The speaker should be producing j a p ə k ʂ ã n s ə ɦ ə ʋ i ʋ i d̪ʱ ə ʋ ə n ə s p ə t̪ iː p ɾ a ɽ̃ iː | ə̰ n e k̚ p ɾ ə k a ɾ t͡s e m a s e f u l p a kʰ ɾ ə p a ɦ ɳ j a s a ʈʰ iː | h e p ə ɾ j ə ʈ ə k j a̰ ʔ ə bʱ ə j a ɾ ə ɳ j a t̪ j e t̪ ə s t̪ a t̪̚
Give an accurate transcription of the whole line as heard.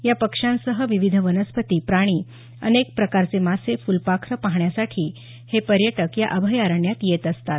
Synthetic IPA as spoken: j a p ə k ʂ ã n s ə ɦ ə ʋ i ʋ i d̪ʱ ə ʋ ə n ə s p ə t̪ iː p ɾ a ɽ̃ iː | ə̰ n e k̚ p ɾ ə k a ɾ t͡s e m a s e f u l p a kʰ ɾ ə p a ɦ ɳ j a s a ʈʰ iː | h e p ə ɾ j ə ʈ ə k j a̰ ʔ ə bʱ ə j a ɾ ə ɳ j a t̪ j e t̪ ə s t̪ a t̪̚